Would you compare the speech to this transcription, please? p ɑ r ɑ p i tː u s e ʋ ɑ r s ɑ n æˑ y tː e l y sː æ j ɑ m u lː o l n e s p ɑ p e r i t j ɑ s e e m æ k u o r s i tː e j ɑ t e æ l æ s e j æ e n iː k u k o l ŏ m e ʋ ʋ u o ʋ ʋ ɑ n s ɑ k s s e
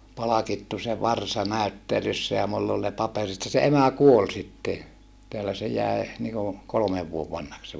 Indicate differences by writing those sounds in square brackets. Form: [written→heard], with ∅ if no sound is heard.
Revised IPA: p ɑ [r→l] ɑ [p→k] i tː u s e ʋ ɑ r s ɑ n æˑ y tː e l y sː æ j ɑ m u lː o l n e [s→∅] p ɑ p e r i t j ɑ s e e m æ k u o [r→l] s i tː e j ɑ t e æ l æ s e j æ e n iː k u k o l ŏ m e ʋ ʋ u o ʋ ʋ ɑ n [s→h] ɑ k s s e

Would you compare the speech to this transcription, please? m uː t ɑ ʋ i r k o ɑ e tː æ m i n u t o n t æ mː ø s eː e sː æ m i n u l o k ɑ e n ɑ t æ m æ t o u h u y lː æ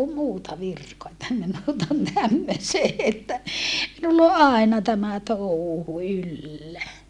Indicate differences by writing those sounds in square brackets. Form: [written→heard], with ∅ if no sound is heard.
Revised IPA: m uː t ɑ ʋ i r k o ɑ e tː æ m i n u t o n t æ mː ø s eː e [sː→tː] æ m i n u [l→lː] o [k→ʔ] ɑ e n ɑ t æ m æ t o u h u y lː æ

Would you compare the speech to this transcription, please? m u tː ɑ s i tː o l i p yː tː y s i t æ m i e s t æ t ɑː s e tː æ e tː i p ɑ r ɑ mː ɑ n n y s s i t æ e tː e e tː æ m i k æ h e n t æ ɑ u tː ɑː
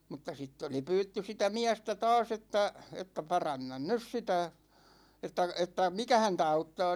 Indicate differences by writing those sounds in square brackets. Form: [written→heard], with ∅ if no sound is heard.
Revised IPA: m u tː ɑ s i tː o l i p yː tː y s i t æ m i [e→æ] s t æ t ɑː s e tː æ e tː [i→æ] p ɑ r ɑ [mː→nː] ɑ n n y s s i t æ e tː [e→æ] e tː æ m i k æ h [e→æ] n t æ ɑ u tː ɑː

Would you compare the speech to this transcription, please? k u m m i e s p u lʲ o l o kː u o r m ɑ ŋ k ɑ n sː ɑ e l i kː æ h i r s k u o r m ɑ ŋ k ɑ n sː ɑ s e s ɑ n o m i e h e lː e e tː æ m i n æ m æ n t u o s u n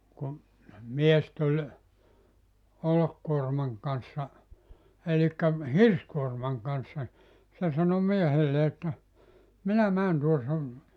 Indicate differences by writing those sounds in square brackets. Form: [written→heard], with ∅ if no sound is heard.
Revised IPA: k u m m i e s [p→t] u lʲ o l o kː u o r m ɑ ŋ k ɑ n sː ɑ e l i kː æ h i r s k u o r m ɑ ŋ k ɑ n sː ɑ s e s ɑ n o m i e h e lː e e tː æ m i n æ m [æ→æː] n t u o s u n

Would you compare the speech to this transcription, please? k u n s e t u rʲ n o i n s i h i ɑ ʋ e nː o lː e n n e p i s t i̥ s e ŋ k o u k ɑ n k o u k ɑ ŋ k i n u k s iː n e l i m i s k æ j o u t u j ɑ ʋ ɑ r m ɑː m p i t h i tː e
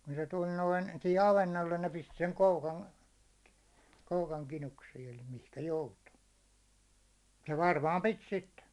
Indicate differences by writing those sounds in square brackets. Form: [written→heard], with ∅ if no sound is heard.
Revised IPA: k u n s e t u [rʲ→lʲ] n o i n s i h i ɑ ʋ e nː o lː e n n e p i s t i̥ s e ŋ k o u k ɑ n k o u k ɑ ŋ k i n u k s iː n e l i m i [s→h] k æ j o u t u j ɑ ʋ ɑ r m ɑː m p i t [h→s] i tː e

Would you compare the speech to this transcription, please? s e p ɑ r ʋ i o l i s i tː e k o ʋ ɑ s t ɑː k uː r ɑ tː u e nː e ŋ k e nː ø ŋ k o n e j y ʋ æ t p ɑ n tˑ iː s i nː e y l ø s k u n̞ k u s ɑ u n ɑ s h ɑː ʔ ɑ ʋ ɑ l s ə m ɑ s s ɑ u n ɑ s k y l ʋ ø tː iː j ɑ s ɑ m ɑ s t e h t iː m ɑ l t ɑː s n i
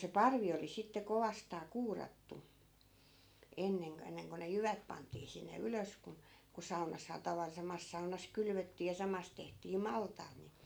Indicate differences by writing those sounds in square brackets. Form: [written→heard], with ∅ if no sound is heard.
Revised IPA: s e p ɑ r ʋ i o l i s i tː e k o ʋ ɑ s t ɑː k uː r ɑ tː u e nː e ŋ k e nː [ø→e] ŋ k o n e j y ʋ æ t p ɑ n tˑ iː s i nː e y l ø s k u n̞ k u s ɑ u n ɑ s h ɑː [ʔ→t] ɑ ʋ ɑ l s [ə→ɑ] m ɑ s s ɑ u n ɑ s k y l ʋ ø tː iː j ɑ s ɑ m ɑ s t e h t iː m ɑ l t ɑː [s→t] n i

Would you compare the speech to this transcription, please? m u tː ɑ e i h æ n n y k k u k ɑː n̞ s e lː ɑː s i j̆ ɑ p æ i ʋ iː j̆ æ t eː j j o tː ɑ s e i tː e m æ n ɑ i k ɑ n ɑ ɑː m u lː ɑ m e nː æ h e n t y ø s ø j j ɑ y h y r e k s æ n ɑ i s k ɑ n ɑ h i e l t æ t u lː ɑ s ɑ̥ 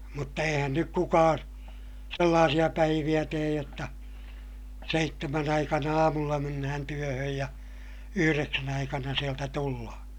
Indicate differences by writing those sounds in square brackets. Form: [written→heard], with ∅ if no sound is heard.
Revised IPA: m u tː ɑ e i h æ n n y k k u k ɑː n̞ s e lː ɑː s i j̆ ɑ p æ i ʋ [iː→i] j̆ æ t eː j j o tː ɑ s e i tː e m æ n ɑ i k ɑ n ɑ ɑː m u lː ɑ m e nː æ h [e→æ] n t y ø [s→h] ø j j ɑ y h y r e k s æ n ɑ i [s→∅] k ɑ n ɑ [h→s] i e l t æ t u lː ɑ [s→h] ɑ̥

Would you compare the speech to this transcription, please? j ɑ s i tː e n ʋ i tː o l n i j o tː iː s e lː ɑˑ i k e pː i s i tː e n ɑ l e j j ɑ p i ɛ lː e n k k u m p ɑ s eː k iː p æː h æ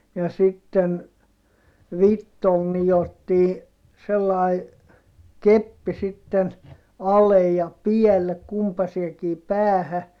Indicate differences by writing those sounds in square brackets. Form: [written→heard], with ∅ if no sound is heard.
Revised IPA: j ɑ s i tː e n ʋ i tː o l n i j o tː iː s e lː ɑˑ i k e pː i s i tː e n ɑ l e j j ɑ p i ɛ lː e [n→∅] k k u m p ɑ s eː k iː p æː h æ

